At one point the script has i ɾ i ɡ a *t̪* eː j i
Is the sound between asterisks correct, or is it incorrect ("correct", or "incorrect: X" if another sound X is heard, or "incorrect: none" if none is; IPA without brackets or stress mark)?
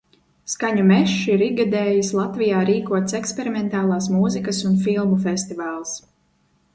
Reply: incorrect: d̪